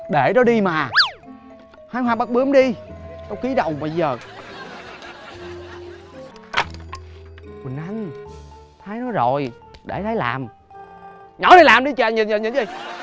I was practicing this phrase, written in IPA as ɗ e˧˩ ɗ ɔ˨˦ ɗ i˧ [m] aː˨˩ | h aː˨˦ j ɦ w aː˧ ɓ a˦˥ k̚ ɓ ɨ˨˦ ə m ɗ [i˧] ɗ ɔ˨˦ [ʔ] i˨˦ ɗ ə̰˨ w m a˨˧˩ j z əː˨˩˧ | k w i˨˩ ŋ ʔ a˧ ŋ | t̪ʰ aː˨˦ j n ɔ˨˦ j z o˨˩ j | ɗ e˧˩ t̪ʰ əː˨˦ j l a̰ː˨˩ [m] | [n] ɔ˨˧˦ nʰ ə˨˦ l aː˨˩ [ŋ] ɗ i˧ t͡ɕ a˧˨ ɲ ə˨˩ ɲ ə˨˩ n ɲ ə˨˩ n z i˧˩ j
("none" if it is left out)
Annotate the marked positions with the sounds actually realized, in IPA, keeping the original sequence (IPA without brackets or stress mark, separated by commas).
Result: m, i˧, k, m, ɲ, m